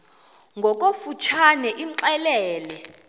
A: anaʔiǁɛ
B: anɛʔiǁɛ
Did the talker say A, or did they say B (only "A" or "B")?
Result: B